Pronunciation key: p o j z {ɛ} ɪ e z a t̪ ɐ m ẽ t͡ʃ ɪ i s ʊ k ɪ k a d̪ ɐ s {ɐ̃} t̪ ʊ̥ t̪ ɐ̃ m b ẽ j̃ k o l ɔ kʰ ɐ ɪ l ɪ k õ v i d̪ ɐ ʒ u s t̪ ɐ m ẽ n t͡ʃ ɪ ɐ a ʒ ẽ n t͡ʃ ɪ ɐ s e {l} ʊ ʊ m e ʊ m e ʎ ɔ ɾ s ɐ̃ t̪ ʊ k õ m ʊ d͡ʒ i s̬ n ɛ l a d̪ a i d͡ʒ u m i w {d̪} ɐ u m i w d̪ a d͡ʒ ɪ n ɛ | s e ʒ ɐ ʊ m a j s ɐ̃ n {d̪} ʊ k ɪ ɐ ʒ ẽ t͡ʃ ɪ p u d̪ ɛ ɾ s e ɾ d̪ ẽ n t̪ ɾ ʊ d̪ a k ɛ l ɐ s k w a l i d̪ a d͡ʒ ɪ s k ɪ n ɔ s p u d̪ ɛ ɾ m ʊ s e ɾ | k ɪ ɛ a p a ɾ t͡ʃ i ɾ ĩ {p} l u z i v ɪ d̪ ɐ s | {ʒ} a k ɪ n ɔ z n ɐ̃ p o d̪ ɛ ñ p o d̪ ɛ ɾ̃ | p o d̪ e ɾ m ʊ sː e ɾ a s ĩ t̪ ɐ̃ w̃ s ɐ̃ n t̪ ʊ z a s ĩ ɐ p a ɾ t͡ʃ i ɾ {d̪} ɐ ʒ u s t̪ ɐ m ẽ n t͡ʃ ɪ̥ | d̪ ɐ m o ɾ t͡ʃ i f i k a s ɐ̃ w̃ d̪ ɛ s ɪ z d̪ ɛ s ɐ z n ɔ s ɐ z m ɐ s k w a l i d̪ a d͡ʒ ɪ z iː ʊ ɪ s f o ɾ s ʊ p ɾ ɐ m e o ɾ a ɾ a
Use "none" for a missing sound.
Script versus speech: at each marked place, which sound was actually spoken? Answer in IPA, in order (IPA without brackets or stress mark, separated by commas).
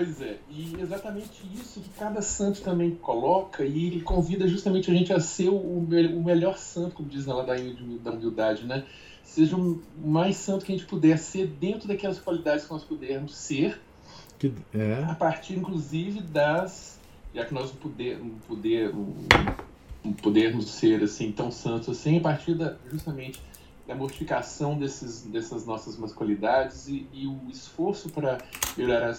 ɛ, ɐ̃, ɾ, d̪, t̪, k, ʒ, d̪